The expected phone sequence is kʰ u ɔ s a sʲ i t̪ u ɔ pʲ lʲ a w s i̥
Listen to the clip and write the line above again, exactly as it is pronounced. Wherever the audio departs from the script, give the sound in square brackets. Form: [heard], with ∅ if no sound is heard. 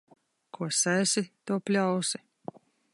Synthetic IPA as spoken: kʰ u ɔ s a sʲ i t̪ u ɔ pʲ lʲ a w s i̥